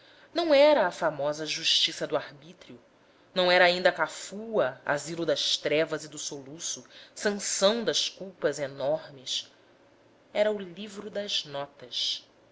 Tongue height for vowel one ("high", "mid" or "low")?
low